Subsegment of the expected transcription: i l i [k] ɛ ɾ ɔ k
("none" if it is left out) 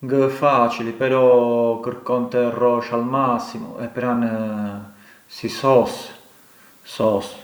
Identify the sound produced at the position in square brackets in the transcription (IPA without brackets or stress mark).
p